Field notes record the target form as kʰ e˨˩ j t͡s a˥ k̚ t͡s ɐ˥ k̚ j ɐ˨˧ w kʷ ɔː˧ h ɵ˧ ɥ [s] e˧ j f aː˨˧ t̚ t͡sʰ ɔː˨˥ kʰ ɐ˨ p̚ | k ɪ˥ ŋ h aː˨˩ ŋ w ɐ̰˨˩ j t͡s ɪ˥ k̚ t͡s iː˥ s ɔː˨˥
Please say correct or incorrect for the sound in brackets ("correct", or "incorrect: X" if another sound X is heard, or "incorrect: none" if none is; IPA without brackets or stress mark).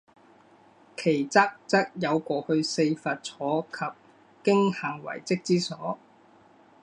correct